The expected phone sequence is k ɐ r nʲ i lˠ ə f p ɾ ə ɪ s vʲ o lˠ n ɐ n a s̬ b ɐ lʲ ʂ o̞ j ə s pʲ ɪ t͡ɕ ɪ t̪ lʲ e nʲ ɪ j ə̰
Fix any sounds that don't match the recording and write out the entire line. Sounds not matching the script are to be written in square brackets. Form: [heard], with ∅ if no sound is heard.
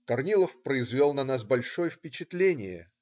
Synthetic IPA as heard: k ɐ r nʲ i lˠ ə f p ɾ ə ɪ [z] vʲ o lˠ n ɐ n a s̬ b ɐ lʲ ʂ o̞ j ə [f] pʲ ɪ t͡ɕ ɪ t̪ lʲ e nʲ ɪ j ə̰